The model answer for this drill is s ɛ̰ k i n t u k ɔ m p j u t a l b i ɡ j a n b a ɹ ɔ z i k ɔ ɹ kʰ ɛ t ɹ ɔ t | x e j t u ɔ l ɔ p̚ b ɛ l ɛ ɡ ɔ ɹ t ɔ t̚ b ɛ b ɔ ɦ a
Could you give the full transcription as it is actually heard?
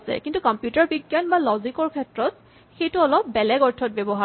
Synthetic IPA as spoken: s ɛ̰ k i n t u k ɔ m p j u t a ɹ b i ɡ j a n b a l ɔ z i k ɔ ɹ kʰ ɛ t ɹ ɔ t | x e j t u ɔ l ɔ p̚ b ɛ l ɛ ɡ ɔ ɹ tʰ ɔ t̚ b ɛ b ɔ ɦ a